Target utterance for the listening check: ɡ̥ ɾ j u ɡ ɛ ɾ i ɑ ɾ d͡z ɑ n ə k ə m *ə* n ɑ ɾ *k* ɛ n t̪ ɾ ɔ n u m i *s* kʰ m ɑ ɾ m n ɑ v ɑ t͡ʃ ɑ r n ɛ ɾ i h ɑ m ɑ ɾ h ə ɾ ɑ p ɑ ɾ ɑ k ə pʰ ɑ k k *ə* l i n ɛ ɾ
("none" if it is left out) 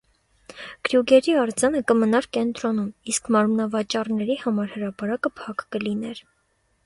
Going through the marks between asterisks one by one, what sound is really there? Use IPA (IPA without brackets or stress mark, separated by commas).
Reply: ə, k, s, ə